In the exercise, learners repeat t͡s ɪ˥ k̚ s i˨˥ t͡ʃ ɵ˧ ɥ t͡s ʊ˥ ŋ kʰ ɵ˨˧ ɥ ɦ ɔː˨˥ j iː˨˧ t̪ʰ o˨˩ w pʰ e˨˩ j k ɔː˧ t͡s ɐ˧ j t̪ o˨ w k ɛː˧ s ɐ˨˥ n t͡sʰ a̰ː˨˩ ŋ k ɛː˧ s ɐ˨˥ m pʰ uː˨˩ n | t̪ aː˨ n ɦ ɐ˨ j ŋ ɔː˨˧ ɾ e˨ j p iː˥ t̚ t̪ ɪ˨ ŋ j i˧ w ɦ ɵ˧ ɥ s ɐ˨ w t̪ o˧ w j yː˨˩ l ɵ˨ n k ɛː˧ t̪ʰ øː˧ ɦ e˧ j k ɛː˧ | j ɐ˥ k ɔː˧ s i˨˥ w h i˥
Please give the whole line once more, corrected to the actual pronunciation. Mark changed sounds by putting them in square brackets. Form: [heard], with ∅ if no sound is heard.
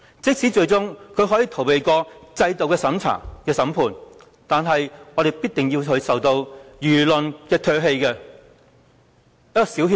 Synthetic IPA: t͡s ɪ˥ k̚ s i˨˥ t͡ʃ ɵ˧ ɥ t͡s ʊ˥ ŋ kʰ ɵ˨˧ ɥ ɦ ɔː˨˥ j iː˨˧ t̪ʰ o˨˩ w [p] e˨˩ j k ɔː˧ t͡s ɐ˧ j t̪ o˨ w k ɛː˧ s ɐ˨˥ [m] t͡sʰ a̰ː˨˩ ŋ k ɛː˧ s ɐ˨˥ m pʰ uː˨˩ n | t̪ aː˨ n ɦ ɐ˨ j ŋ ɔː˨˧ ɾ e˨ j p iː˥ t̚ t̪ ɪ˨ ŋ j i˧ w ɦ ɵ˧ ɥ s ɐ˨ w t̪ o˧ w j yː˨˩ l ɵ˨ n k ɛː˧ t̪ʰ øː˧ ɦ e˧ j k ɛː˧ | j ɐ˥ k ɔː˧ s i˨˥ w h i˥